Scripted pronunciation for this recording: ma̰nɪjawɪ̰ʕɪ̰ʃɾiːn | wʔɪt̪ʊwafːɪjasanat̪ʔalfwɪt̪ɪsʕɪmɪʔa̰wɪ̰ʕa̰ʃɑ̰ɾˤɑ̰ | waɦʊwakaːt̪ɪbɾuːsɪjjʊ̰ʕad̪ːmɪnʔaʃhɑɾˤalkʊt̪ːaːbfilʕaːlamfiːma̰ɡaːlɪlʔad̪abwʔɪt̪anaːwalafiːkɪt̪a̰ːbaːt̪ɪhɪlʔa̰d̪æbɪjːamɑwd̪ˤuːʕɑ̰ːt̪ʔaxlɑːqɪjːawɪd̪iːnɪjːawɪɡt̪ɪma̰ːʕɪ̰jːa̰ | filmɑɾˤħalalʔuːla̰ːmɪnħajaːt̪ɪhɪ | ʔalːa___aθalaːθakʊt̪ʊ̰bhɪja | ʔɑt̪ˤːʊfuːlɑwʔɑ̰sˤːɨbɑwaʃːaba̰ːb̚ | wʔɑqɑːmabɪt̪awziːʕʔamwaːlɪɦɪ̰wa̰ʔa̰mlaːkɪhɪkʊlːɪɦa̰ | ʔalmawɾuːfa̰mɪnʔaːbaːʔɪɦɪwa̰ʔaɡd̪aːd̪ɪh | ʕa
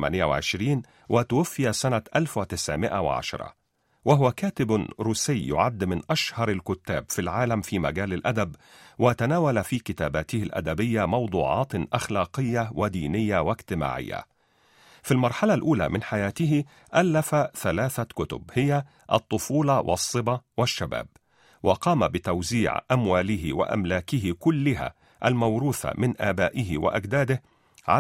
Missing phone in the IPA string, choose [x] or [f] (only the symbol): f